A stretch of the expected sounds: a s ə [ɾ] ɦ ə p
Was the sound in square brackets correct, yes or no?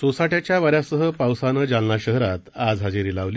no